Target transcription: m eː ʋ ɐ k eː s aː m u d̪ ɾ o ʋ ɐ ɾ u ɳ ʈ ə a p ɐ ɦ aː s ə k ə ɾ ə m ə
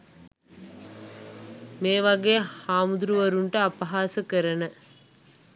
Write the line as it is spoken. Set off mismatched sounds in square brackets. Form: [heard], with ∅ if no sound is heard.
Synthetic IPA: m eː ʋ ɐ [ɡ] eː [h] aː m u d̪ ɾ [u] ʋ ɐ ɾ u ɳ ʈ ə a p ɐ ɦ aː s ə k ə ɾ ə [n] ə